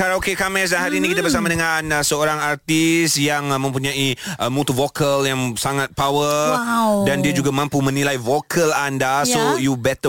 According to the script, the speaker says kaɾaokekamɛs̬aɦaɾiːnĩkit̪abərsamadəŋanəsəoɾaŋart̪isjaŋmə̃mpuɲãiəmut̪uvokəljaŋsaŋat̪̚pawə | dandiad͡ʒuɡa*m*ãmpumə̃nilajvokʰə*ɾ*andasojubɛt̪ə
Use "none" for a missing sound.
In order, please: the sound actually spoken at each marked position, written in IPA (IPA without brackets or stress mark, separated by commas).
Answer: m, l